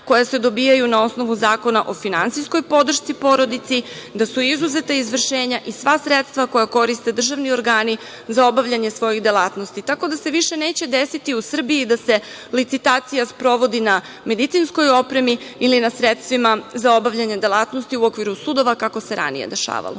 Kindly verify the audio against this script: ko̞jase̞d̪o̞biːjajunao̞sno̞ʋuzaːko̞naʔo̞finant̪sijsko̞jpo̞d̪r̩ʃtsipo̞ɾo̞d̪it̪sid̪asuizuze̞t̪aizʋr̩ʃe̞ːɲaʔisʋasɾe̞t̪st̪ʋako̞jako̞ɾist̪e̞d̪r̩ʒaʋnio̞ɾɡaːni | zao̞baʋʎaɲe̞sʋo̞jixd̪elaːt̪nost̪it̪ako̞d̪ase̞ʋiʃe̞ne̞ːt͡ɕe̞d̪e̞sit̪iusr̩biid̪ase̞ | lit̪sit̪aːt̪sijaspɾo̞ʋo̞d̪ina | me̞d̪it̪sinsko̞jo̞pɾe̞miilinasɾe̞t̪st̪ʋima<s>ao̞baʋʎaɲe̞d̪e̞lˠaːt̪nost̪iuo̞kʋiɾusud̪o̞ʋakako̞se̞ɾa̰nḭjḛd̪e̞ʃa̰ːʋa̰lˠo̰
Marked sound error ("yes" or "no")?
yes